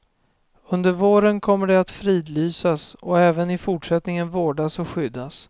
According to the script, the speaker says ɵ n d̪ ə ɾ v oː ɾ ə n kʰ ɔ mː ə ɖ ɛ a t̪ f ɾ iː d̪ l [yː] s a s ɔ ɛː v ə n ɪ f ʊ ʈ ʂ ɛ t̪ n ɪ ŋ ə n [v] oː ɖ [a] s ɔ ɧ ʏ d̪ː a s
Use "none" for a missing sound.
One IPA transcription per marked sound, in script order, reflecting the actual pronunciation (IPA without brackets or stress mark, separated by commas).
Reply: yː, v, a